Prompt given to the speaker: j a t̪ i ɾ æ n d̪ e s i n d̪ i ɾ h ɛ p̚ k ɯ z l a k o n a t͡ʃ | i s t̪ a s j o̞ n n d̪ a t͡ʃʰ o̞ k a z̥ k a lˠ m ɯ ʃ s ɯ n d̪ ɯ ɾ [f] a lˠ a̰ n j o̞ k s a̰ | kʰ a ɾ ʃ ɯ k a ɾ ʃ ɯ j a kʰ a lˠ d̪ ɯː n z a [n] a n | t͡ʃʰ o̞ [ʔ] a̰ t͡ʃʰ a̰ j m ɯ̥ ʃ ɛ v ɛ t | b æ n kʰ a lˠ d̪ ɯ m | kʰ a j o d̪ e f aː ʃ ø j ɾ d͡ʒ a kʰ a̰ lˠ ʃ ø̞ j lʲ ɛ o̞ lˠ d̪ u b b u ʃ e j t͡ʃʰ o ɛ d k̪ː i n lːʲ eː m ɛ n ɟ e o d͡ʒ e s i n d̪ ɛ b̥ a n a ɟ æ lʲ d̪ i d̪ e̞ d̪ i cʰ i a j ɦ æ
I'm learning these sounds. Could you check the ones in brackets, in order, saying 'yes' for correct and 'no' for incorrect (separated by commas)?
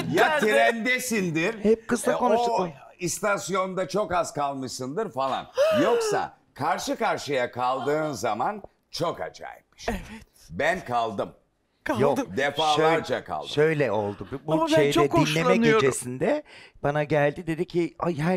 yes, no, no